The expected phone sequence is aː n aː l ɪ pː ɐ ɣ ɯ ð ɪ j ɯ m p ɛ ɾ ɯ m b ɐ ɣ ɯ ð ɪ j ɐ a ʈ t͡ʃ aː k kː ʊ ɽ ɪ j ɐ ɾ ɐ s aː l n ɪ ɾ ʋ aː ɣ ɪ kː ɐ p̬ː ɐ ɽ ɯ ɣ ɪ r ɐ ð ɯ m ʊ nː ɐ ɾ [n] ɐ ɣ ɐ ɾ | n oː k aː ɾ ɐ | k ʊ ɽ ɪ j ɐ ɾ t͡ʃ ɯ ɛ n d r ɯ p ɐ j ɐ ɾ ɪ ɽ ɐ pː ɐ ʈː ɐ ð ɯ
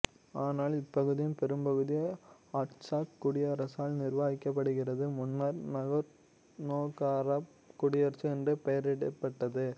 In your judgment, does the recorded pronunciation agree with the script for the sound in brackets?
yes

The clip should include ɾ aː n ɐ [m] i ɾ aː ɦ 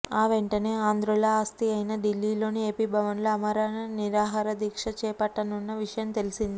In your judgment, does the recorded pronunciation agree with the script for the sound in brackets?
no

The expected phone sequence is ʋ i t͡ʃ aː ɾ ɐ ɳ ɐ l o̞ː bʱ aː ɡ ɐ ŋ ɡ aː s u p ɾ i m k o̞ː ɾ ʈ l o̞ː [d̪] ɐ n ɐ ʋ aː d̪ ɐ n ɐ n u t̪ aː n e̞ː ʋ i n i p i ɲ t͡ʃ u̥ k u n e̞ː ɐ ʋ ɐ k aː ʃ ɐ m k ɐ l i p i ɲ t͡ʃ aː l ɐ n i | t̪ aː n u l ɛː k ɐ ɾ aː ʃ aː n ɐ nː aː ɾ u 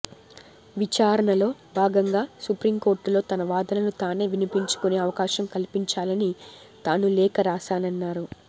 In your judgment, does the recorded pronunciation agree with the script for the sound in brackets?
no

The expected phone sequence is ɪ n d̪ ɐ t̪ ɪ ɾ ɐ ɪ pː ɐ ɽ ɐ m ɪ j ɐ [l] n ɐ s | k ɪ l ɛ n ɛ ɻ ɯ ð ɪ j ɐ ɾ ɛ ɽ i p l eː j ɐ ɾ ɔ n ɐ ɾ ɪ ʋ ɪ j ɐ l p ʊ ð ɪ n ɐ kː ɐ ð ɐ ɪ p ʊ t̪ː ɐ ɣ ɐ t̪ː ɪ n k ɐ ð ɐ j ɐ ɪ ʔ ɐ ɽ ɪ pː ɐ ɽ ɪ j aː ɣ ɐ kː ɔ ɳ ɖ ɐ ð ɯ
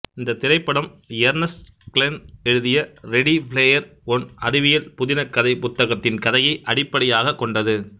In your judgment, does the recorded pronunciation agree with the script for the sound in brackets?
no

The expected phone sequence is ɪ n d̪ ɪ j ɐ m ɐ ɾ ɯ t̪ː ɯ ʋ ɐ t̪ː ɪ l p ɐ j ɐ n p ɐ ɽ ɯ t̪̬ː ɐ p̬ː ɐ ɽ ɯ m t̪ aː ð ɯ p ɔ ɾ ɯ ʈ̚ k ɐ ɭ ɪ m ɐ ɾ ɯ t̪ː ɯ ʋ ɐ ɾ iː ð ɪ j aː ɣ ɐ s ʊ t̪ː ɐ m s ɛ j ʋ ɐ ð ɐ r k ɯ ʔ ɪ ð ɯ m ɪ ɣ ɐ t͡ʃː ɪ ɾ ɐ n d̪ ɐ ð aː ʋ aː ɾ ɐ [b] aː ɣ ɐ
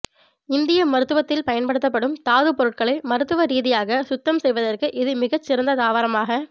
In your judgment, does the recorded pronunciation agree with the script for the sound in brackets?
no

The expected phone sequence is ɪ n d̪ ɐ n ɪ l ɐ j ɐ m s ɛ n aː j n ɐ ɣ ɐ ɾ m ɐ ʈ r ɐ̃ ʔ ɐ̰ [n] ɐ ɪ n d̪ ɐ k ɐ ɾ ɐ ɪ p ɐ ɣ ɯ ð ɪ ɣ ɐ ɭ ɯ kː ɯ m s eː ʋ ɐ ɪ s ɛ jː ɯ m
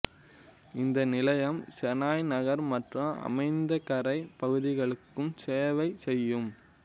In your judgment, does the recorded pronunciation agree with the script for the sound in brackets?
no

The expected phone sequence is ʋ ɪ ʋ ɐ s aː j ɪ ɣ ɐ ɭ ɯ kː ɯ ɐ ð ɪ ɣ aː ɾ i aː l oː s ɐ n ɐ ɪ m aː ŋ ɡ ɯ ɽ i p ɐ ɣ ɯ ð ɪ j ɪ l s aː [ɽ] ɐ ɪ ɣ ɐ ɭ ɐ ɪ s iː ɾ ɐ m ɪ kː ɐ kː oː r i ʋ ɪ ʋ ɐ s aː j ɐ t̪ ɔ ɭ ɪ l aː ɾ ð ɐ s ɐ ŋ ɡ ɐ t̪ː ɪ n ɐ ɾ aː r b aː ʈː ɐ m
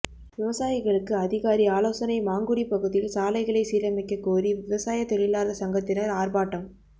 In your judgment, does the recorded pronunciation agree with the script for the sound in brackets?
no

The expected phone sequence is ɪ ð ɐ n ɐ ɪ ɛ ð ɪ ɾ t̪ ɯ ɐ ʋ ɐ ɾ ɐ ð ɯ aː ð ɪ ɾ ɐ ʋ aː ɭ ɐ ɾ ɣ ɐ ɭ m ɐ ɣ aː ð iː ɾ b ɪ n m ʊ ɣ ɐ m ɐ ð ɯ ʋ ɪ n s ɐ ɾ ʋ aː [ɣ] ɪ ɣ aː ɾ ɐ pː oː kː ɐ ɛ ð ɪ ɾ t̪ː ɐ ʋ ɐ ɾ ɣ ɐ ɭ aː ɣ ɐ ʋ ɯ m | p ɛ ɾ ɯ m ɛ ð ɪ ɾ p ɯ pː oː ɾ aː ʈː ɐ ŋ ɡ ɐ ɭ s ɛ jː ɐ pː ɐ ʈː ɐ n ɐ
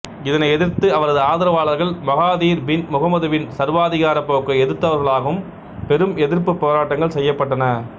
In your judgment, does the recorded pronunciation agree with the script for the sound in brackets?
no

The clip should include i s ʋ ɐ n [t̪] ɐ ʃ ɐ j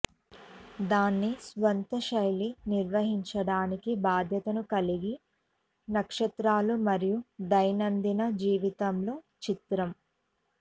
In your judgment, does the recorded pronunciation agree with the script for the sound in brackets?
yes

